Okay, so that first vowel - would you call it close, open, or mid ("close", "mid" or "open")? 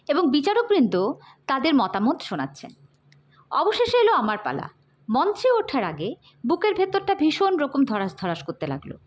mid